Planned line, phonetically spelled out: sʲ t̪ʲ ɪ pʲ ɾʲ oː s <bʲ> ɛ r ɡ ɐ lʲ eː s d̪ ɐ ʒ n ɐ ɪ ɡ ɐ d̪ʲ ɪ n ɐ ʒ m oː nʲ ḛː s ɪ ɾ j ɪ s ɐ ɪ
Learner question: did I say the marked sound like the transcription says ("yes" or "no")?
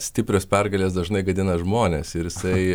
no